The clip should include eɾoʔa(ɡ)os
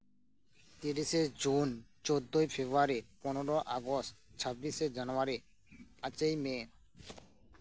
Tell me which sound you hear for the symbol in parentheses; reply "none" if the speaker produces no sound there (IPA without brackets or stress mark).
ɡ